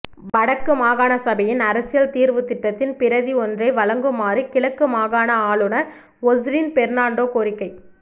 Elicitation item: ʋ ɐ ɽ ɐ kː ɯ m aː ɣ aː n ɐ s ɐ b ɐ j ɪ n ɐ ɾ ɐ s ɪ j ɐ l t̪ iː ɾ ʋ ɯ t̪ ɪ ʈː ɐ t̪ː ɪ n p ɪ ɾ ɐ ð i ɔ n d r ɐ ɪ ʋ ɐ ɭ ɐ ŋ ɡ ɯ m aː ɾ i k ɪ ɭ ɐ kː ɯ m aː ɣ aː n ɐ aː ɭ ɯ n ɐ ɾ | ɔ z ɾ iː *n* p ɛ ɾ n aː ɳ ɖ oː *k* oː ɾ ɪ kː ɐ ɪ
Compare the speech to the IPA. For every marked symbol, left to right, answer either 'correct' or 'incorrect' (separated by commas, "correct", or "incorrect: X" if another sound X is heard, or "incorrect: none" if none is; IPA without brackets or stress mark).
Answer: correct, correct